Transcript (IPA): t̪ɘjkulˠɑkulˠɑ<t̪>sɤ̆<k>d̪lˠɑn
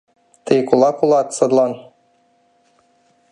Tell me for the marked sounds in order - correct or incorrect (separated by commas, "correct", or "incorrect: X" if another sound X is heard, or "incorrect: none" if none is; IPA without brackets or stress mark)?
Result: correct, incorrect: none